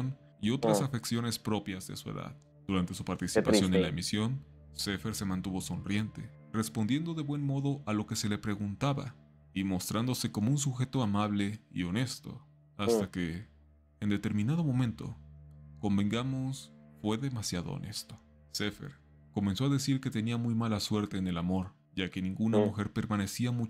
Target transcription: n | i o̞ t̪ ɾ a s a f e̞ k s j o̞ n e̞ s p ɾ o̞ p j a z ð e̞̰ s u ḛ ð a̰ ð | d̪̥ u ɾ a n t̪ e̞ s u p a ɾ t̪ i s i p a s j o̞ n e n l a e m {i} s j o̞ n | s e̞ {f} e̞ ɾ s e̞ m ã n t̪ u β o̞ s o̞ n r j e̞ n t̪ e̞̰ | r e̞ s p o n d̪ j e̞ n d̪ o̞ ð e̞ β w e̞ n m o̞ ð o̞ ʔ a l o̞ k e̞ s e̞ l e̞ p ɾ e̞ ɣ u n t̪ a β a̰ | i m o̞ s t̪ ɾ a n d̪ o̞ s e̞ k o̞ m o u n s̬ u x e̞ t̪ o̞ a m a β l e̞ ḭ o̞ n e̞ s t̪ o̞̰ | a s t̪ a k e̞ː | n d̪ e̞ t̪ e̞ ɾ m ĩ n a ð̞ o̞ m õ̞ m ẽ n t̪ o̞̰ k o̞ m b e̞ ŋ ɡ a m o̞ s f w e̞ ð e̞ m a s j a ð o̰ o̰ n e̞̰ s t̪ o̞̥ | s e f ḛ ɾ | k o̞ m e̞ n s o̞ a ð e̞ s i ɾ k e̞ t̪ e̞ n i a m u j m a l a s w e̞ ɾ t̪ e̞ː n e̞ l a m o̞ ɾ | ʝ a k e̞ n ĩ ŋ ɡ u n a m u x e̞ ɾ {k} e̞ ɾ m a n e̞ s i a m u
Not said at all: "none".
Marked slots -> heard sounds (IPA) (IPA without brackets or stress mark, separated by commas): i, f, p